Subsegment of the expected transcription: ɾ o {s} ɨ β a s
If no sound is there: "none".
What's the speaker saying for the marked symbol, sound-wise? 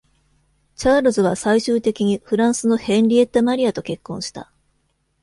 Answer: z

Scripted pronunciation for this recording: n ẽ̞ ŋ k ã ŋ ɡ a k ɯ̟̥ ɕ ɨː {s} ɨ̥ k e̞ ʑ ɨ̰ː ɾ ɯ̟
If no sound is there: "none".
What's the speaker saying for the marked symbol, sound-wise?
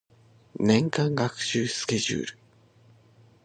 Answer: s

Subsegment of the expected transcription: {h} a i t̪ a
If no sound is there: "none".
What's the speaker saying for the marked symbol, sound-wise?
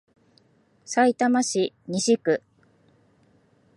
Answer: s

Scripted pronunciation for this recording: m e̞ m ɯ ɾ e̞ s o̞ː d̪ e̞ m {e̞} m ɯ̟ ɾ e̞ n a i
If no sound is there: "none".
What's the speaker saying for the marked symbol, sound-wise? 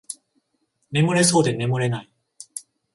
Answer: e̞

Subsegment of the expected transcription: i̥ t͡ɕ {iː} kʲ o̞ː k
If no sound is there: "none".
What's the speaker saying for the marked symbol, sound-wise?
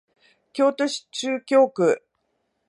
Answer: ɨː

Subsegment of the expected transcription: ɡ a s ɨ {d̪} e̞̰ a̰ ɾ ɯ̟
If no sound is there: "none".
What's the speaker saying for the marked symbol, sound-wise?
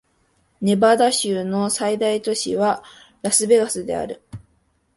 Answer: d̪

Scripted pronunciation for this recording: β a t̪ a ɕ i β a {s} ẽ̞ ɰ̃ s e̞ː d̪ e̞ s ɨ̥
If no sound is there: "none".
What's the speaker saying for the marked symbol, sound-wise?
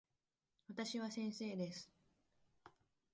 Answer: s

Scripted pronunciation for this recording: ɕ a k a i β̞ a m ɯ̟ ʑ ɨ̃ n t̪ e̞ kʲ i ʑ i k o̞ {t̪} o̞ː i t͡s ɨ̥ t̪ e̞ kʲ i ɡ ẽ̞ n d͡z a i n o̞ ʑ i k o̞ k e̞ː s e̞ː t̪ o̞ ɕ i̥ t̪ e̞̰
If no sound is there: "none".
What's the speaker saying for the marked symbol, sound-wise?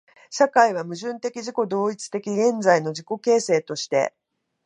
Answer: d̪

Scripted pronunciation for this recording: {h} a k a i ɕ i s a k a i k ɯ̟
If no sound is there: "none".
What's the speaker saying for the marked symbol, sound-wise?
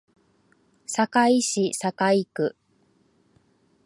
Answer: s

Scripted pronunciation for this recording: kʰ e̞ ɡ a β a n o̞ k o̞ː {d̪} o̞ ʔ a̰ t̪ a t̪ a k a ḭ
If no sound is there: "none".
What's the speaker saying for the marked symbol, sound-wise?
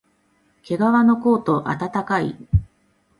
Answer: t̪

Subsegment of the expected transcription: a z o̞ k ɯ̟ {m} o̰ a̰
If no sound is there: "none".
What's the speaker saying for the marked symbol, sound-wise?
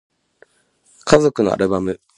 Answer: n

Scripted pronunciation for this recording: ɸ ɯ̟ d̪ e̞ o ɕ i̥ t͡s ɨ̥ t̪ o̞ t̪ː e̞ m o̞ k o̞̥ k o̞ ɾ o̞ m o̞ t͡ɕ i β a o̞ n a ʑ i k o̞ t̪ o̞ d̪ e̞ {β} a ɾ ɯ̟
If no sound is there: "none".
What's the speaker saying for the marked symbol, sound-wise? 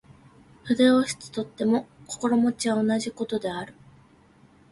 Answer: none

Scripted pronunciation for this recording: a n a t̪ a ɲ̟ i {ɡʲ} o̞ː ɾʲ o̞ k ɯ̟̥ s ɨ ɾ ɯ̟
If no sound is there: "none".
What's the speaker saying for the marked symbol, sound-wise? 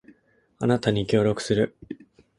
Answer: kʲ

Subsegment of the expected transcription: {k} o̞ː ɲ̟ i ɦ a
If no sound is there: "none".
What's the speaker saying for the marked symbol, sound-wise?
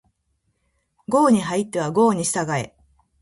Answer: ɡ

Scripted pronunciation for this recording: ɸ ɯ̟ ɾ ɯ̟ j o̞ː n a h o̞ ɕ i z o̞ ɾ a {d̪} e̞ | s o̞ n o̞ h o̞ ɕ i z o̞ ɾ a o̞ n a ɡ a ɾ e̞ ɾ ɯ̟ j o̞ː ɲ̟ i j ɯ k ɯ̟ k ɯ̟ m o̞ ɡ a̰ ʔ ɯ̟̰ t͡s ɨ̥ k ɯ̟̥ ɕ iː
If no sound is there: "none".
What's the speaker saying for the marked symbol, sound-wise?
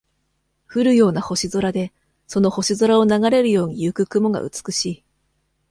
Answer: d̪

